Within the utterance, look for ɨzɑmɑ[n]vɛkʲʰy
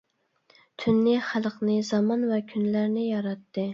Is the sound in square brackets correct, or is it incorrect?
correct